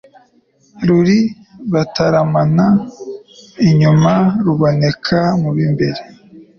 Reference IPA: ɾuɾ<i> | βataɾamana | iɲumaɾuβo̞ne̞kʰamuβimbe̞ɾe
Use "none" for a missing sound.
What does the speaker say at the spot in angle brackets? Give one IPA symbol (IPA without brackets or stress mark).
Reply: i